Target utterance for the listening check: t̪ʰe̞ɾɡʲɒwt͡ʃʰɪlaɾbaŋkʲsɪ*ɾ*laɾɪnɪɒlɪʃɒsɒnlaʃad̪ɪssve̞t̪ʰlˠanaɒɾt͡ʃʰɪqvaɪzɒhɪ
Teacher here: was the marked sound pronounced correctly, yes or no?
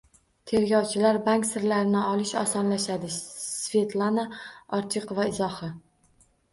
yes